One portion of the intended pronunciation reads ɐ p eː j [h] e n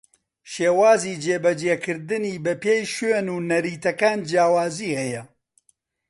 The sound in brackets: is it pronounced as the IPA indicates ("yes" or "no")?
no